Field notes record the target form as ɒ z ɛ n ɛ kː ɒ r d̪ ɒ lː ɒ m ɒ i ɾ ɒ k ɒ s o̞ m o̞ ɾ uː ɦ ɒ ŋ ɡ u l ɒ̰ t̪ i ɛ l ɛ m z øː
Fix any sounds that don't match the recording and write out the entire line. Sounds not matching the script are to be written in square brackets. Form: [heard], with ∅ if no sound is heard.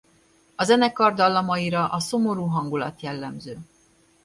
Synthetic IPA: ɒ z ɛ n ɛ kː ɒ r d̪ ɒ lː ɒ m ɒ i ɾ ɒ [ʔ] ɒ s o̞ m o̞ ɾ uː ɦ ɒ ŋ ɡ u l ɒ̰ t̪ [j] ɛ [lː] ɛ m z øː